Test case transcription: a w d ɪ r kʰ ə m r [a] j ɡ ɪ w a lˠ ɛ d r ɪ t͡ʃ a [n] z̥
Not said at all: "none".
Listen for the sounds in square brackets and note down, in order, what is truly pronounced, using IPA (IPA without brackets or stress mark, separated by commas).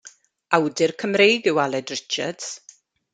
e, d